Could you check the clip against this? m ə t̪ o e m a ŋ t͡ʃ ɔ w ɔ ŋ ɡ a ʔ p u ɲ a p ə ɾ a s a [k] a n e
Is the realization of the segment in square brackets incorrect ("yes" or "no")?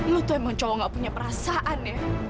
yes